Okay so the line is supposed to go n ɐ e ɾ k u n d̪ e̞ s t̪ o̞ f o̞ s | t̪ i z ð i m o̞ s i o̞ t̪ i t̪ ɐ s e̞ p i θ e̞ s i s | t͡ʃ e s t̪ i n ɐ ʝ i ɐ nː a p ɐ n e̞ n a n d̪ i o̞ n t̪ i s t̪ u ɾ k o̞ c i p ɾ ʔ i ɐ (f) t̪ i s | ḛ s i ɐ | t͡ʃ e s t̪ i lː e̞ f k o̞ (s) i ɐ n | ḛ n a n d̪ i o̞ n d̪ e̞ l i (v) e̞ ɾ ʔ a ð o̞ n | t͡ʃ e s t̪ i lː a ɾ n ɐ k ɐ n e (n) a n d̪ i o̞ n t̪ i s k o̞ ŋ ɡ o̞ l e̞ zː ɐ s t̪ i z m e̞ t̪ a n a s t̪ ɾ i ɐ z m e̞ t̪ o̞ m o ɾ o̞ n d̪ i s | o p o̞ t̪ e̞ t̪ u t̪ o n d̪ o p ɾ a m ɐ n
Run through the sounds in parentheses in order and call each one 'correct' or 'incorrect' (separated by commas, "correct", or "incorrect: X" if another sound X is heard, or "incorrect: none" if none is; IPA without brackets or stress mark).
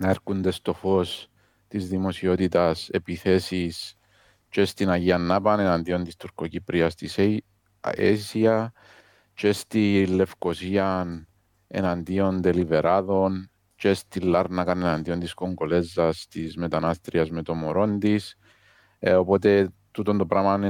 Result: incorrect: s, correct, correct, correct